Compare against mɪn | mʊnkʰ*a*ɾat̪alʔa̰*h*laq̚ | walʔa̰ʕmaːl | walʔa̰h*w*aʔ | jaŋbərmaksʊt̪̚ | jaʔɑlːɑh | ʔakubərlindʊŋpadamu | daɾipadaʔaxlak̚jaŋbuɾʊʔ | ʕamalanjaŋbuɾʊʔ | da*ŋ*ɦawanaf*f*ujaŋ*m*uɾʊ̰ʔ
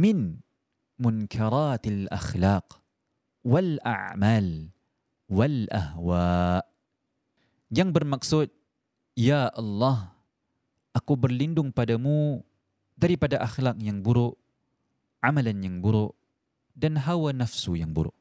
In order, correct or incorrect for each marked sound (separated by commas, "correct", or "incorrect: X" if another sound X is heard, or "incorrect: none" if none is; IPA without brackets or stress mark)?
correct, incorrect: x, correct, incorrect: n, incorrect: s, incorrect: b